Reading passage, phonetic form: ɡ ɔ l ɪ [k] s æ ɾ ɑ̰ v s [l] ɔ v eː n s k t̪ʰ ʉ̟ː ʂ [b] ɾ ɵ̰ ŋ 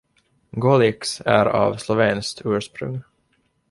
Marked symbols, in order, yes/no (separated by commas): yes, yes, no